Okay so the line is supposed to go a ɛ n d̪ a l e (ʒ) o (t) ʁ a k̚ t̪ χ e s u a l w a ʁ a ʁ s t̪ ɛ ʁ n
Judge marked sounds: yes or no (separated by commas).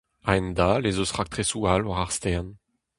no, no